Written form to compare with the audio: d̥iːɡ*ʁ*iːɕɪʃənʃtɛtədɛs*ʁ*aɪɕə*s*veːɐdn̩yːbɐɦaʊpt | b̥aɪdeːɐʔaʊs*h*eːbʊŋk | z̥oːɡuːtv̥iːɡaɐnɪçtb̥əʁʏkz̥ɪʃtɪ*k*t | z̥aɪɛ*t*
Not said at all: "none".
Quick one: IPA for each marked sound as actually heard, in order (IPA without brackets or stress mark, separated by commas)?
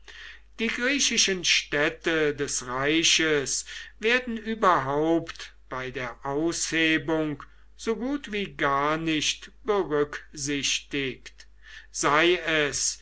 ʁ, ʁ, s, h, k, s